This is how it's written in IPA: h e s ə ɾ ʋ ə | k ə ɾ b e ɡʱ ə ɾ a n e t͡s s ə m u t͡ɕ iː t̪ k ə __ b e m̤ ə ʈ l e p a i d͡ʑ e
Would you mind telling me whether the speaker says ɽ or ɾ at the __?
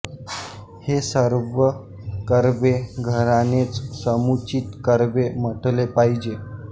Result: ɾ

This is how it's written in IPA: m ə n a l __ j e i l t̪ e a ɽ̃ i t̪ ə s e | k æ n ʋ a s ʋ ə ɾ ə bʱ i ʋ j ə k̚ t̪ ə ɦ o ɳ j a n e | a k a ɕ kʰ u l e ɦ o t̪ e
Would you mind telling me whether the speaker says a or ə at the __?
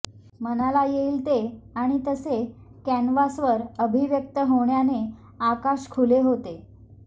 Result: a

